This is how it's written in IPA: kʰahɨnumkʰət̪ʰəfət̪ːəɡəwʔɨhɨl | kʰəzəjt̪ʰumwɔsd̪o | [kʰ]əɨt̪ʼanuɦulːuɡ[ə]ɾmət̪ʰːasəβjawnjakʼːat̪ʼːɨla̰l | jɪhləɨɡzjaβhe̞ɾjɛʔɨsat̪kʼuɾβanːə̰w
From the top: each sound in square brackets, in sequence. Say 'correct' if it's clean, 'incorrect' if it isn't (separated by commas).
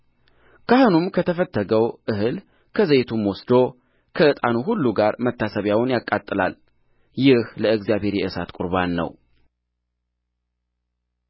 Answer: correct, incorrect